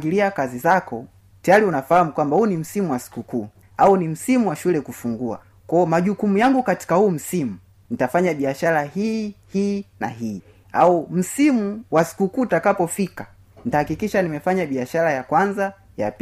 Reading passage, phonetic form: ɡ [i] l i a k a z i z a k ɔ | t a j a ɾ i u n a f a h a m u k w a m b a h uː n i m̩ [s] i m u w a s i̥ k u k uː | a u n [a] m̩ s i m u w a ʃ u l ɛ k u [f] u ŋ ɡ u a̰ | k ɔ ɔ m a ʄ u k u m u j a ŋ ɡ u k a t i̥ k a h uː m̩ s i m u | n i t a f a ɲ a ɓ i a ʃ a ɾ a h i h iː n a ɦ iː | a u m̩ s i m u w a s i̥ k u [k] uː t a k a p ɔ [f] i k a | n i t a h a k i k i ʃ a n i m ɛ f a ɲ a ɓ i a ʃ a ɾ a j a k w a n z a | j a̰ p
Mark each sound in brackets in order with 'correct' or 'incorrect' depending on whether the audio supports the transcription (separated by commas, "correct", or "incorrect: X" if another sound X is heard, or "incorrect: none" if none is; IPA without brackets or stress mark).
correct, correct, incorrect: i, correct, correct, correct